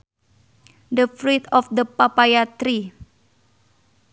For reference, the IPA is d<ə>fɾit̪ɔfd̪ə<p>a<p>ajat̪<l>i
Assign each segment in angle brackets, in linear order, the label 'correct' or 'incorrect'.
correct, correct, correct, incorrect: ɾ

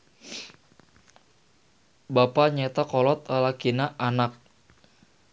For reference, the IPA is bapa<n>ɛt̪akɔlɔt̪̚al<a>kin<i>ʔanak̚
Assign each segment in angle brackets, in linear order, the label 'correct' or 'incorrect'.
incorrect: ɲ, correct, incorrect: a

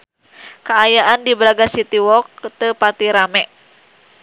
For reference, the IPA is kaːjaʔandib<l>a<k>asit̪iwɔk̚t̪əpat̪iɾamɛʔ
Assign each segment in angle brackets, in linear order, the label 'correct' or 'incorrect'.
incorrect: ɾ, incorrect: ɡ

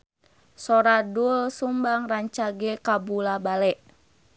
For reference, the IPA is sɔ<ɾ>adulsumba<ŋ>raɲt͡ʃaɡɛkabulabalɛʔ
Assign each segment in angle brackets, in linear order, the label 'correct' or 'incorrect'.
correct, correct

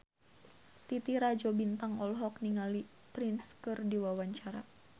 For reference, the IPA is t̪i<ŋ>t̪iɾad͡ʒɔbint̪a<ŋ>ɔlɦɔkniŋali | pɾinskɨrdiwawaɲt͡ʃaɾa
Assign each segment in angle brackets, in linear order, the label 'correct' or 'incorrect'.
incorrect: none, correct

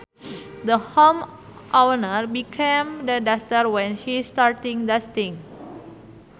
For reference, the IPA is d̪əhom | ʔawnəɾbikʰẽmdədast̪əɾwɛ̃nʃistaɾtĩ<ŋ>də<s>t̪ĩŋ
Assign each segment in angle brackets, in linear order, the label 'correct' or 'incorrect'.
correct, correct

